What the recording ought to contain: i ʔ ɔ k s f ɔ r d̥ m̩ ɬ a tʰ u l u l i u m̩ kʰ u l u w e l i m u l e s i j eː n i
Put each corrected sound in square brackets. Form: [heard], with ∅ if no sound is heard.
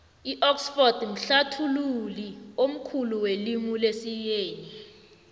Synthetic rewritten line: i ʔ ɔ k s f ɔ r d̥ m̩ ɬ a tʰ u l u l i [o] m̩ kʰ u l u w e l i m u l e s i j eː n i